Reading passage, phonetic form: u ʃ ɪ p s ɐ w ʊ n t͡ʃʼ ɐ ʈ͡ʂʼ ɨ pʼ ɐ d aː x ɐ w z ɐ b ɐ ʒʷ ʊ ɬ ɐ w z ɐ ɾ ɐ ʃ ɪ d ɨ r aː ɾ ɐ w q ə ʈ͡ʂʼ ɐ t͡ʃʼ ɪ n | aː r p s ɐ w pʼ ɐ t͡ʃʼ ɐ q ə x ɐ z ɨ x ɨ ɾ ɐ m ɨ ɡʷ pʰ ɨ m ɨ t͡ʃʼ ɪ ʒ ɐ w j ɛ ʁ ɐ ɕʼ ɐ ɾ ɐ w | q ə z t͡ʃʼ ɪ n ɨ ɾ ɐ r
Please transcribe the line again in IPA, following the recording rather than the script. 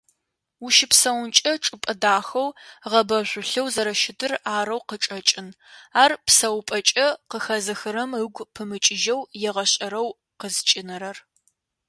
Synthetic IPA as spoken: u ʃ ɪ p s ɐ w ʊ n t͡ʃʼ ɐ ʈ͡ʂʼ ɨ pʼ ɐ d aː x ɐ w ʁ ɐ b ɐ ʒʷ ʊ ɬ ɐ w z ɐ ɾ ɐ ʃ ɪ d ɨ r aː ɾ ɐ w q ə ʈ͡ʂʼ ɐ t͡ʃʼ ɪ n | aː r p s ɐ w pʼ ɐ t͡ʃʼ ɐ q ə x ɐ z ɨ x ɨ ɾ ɐ m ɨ ɡʷ pʰ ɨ m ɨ t͡ʃʼ ɪ ʒ ɐ w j ɛ ʁ ɐ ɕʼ ɐ ɾ ɐ w | q ə z t͡ʃʼ ɪ n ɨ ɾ ɐ r

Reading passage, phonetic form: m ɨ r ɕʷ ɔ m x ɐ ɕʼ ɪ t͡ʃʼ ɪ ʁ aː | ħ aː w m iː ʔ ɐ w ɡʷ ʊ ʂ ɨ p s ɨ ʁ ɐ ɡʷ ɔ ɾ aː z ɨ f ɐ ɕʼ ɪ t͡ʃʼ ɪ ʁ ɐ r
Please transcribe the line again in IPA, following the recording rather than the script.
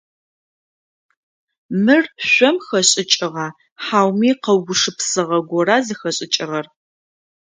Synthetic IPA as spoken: m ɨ r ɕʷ ɔ m x ɐ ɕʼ ɪ t͡ʃʼ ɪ ʁ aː | ħ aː w m iː q ɐ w ɡʷ ʊ ʂ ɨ p s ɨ ʁ ɐ ɡʷ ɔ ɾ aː z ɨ x ɐ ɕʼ ɪ t͡ʃʼ ɪ ʁ ɐ r

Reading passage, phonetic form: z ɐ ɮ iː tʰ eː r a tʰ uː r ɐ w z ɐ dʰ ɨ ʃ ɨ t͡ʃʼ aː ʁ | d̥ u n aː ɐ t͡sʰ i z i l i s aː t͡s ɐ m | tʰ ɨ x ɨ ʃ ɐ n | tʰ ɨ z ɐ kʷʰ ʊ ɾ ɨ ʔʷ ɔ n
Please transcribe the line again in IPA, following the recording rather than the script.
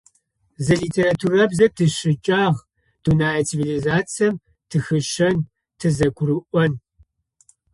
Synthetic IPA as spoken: z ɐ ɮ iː tʰ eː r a tʰ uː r ɐ b z ɐ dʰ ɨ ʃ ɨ t͡ʃʼ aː ʁ | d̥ u n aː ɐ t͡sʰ i v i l i z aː t͡s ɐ m | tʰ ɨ x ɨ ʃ ɐ n | tʰ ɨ z ɐ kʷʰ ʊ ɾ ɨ ʔʷ ɔ n

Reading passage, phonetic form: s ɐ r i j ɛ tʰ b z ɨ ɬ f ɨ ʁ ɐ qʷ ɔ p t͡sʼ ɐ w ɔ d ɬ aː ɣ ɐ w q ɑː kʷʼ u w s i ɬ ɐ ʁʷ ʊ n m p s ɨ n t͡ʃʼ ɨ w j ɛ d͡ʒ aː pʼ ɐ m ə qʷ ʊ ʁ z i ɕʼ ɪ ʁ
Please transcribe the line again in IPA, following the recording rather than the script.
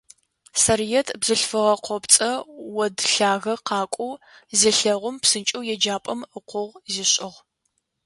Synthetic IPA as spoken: s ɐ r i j ɛ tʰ b z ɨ ɬ f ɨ ʁ ɐ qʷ ɔ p t͡sʼ ɐ w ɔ d ɬ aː ɣ ɐ q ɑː kʷʼ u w z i ɬ ɐ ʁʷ ʊ m p s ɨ n t͡ʃʼ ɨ w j ɛ d͡ʒ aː pʼ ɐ m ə qʷ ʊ ʁ z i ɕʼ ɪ ʁ

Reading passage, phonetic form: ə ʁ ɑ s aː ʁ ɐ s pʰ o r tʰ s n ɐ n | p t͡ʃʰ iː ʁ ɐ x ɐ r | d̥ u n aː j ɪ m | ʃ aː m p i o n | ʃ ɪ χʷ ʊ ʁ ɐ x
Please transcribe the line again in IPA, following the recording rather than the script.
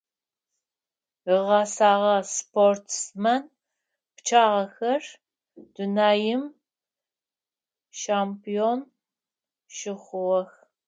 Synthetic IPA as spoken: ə ʁ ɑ s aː ʁ ɐ s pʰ o r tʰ s m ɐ n | p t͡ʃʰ aː ʁ ɐ x ɐ r | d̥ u n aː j ɪ m | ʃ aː m p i o n | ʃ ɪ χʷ ʊ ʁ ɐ x

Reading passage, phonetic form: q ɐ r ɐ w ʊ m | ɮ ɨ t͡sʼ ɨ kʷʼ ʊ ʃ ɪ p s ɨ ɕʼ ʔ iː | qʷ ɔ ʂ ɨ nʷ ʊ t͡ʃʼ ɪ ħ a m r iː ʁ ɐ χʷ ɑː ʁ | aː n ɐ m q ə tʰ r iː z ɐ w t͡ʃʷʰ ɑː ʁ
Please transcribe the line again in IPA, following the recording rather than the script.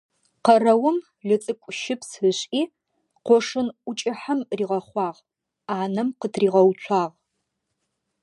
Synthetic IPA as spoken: q ɐ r ɐ w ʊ m | ɮ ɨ t͡sʼ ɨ kʷʼ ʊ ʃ ɪ p s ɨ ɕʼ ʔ iː | qʷ ɔ ʂ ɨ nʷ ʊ t͡ʃʼ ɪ ħ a m r iː ʁ ɐ χʷ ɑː ʁ | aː n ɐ m q ə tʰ r iː ʁ ɐ w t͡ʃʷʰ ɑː ʁ

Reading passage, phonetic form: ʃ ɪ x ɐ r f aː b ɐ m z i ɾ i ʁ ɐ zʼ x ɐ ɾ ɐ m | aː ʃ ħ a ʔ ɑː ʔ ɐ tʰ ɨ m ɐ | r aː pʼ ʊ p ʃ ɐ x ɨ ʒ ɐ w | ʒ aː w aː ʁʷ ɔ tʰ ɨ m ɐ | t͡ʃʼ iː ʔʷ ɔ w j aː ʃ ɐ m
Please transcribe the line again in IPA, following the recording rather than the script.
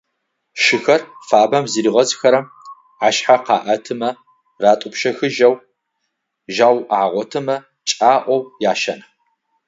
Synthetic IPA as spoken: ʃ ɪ x ɐ r f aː b ɐ m z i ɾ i ʁ ɐ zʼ x ɐ ɾ ɐ m | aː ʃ ħ a q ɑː ʔ ɐ tʰ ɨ m ɐ | r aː tʼ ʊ p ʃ ɐ x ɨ ʒ ɐ w | ʒ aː w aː ʁʷ ɔ tʰ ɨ m ɐ | t͡ʃʼ aː ʔʷ ɔ w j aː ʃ ɐ n

